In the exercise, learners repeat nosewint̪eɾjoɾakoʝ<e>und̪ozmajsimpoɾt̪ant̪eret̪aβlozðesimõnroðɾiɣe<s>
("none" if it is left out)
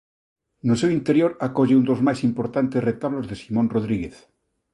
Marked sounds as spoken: e, θ

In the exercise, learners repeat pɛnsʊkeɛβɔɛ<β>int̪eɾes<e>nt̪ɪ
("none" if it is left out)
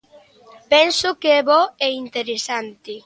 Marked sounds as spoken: none, a

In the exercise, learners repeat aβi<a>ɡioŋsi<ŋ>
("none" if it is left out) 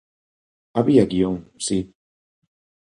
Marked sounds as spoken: a, none

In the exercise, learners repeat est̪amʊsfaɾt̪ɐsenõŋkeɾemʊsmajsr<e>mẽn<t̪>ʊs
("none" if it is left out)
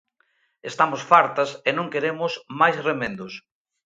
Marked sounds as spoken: e, d̪

